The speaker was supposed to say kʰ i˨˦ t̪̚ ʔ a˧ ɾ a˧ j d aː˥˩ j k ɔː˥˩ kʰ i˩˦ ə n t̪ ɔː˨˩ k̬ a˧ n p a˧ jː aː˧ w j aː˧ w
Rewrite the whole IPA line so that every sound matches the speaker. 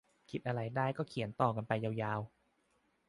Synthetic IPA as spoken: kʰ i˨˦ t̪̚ ʔ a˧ ɾ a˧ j d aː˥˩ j k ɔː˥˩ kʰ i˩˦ ə n t̪ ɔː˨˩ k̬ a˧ n p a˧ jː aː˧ w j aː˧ w